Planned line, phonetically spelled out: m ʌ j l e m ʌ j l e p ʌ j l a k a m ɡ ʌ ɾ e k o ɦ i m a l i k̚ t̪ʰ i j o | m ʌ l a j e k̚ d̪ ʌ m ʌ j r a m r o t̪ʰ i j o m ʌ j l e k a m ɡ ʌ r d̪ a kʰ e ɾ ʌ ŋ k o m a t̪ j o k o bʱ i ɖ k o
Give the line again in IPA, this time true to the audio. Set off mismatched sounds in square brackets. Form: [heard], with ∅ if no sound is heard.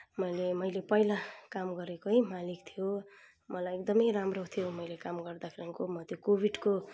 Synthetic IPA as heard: m ʌ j l e m ʌ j l e p ʌ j l a k a m ɡ ʌ ɾ e k o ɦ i m a l i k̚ t̪ʰ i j o | m ʌ l a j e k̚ d̪ ʌ m ʌ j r a m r o t̪ʰ i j o m ʌ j l e k a m ɡ ʌ r d̪ a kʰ e ɾ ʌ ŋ k o m [ʌ] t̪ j o k o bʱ i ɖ k o

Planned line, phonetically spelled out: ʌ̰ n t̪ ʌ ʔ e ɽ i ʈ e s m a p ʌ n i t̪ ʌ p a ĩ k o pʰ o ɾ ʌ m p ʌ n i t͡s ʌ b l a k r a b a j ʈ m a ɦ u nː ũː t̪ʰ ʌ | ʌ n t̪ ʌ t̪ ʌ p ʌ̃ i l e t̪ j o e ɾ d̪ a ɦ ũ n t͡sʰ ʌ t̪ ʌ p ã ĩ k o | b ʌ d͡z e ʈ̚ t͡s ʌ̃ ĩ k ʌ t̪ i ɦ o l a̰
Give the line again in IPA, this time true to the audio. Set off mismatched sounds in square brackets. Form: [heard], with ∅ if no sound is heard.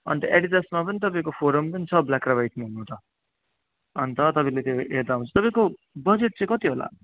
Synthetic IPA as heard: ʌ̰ n t̪ ʌ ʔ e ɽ i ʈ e s m a p ʌ n i t̪ ʌ p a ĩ k o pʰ o ɾ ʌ m p ʌ n i [t͡sʰ] ʌ b l a k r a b a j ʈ m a ɦ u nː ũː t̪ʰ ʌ | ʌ n t̪ ʌ t̪ ʌ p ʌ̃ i l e t̪ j o e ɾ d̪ a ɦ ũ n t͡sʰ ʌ t̪ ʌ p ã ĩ k o | b ʌ d͡z e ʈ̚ t͡s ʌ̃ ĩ k ʌ t̪ i ɦ o l a̰

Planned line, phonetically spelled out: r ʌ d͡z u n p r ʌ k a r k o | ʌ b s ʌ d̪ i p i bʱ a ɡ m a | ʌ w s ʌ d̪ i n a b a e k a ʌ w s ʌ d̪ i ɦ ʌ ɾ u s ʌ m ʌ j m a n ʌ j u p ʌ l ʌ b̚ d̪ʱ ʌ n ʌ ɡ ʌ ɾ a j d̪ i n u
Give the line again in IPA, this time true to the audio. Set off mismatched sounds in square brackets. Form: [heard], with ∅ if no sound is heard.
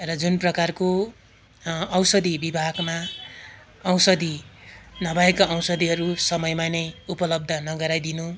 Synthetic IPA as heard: r ʌ d͡z u n p r ʌ k a r k o | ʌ [w] s ʌ d̪ i [b] i bʱ a ɡ m a | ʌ w s ʌ d̪ i n [ʌ] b a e k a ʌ w s ʌ d̪ i ɦ ʌ ɾ u s ʌ m ʌ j m a n ʌ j u p ʌ l ʌ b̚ d̪ʱ ʌ n ʌ ɡ ʌ ɾ a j d̪ i n u

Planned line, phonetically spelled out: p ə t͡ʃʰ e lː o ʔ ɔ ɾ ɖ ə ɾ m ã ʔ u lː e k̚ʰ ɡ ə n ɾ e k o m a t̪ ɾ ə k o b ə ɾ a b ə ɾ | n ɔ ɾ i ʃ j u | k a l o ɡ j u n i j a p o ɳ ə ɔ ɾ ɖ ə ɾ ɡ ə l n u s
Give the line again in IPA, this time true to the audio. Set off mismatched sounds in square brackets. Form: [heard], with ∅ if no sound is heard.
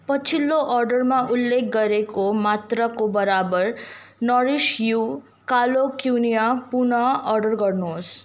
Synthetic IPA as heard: p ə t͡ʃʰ [i] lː o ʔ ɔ ɾ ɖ ə ɾ m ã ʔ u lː e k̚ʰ ɡ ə [∅] ɾ e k o m a t̪ ɾ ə k o b ə ɾ a b ə ɾ | n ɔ ɾ i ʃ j u | k a l o [k] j u n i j a p [u] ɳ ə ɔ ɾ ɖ ə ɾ ɡ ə [ɾ] n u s

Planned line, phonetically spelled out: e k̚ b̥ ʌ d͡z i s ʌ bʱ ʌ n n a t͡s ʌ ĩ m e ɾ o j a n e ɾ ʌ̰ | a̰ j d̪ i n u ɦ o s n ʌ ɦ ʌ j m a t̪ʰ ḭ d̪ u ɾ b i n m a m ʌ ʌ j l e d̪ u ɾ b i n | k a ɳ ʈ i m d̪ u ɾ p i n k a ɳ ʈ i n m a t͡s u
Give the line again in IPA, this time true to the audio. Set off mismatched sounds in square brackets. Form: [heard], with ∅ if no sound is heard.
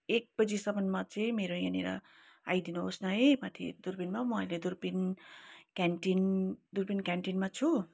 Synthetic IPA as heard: e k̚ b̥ ʌ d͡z i s ʌ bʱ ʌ n [m] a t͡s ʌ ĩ m e ɾ o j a n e ɾ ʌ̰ | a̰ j d̪ i n u ɦ o s n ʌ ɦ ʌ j m a t̪ʰ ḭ d̪ u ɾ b i n m a m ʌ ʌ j l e d̪ u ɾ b i n | k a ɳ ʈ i [n] d̪ u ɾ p i n k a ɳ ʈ i n m a [t͡sʰ] u

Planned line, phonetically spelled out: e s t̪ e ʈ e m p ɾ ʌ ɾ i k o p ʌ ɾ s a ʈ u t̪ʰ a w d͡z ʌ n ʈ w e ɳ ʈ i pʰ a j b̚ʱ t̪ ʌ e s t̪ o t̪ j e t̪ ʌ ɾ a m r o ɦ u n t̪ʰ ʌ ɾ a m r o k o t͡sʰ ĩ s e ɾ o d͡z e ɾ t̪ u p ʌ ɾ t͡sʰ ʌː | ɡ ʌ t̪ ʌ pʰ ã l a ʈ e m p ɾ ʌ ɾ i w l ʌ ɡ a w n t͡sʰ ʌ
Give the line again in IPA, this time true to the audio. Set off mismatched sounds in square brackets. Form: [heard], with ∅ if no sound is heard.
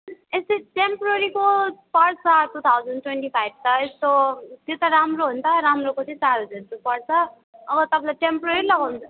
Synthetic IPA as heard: e s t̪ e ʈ e m p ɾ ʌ ɾ i k o p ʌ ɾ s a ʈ u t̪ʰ a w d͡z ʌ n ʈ w e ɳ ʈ i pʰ a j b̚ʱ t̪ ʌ e s t̪ o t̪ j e t̪ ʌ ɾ a m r o ɦ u n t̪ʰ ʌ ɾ a m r o k o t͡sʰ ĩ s [a] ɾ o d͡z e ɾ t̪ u p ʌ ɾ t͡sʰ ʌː | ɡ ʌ t̪ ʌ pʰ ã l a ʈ e m p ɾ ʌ ɾ i [∅] l ʌ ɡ a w n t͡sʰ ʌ

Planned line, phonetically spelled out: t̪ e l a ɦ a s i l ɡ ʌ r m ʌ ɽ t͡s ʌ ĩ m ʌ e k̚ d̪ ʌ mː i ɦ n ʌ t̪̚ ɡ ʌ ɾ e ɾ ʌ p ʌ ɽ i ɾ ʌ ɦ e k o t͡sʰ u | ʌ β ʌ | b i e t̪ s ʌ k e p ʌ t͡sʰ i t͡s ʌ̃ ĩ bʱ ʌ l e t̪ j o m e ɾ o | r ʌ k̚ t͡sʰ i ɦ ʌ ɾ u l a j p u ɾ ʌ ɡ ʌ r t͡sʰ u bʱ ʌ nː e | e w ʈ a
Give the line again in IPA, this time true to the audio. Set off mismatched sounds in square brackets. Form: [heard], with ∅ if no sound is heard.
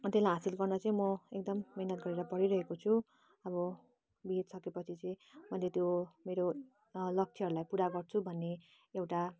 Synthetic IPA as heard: t̪ e l a ɦ a s i l ɡ ʌ r [n] ʌ [∅] t͡s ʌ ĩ m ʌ e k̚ d̪ ʌ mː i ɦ n ʌ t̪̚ ɡ ʌ ɾ e ɾ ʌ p ʌ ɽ i ɾ ʌ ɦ e k o t͡sʰ u | ʌ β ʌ | b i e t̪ s ʌ k e p ʌ t͡sʰ i t͡s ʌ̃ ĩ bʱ ʌ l e t̪ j o m e ɾ o | [l] ʌ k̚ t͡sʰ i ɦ ʌ ɾ u l a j p u ɾ [a] ɡ ʌ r t͡sʰ u bʱ ʌ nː e | e w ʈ a

